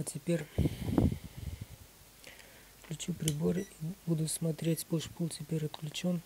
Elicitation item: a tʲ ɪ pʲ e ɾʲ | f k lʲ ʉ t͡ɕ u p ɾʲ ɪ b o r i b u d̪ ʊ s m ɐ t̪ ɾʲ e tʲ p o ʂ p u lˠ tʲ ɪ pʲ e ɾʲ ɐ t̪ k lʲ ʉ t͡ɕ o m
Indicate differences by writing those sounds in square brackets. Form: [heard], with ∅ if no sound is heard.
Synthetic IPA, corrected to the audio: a tʲ ɪ pʲ e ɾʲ | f k lʲ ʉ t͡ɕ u p ɾʲ ɪ b o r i b u d̪ ʊ s m ɐ t̪ ɾʲ e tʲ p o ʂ p u lˠ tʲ ɪ pʲ e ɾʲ ɐ t̪ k lʲ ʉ t͡ɕ o [n]